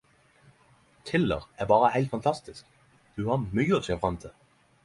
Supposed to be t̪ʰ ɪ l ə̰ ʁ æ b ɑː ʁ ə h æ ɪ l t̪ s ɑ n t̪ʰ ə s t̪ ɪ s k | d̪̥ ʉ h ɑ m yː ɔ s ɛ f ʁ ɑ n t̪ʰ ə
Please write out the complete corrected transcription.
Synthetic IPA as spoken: t̪ʰ ɪ l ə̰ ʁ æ b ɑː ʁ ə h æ ɪ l t̪ f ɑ n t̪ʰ ɑ s t̪ ɪ s k | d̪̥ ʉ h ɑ m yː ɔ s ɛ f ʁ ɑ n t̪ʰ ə